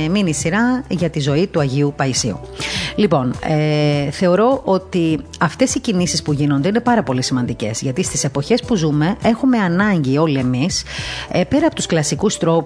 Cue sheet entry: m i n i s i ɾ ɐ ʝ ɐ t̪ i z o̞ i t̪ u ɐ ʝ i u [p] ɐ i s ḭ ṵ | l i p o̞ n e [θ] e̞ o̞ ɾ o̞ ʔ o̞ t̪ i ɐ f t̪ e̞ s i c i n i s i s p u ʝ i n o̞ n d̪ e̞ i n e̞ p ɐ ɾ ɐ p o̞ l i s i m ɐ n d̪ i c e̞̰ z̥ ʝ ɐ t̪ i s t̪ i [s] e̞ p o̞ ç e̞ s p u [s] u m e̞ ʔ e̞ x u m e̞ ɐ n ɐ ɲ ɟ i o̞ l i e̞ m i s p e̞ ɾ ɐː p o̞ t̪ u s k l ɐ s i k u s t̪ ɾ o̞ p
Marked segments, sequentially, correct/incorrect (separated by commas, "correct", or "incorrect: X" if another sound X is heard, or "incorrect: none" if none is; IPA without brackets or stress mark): correct, correct, correct, incorrect: z